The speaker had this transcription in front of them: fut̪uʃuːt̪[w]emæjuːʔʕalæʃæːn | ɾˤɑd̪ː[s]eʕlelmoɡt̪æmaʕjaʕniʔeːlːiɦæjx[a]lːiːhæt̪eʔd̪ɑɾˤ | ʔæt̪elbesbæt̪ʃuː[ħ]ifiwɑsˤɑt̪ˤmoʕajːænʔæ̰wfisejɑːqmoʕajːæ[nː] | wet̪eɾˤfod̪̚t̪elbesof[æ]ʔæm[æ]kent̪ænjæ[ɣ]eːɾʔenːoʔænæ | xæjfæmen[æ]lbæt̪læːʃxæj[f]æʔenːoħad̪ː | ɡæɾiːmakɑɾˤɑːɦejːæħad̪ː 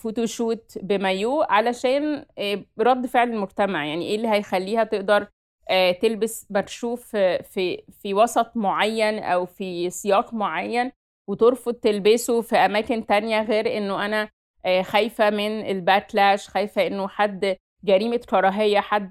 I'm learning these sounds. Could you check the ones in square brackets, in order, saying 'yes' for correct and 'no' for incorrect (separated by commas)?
no, no, no, no, no, no, no, yes, no, yes